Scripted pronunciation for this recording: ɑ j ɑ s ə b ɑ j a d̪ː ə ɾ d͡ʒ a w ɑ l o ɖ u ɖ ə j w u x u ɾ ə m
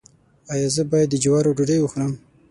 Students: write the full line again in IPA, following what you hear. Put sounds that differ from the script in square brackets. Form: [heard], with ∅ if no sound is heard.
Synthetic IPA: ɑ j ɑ [z] ə b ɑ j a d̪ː ə [∅] d͡ʒ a w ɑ [ɾ] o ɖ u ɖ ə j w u x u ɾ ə m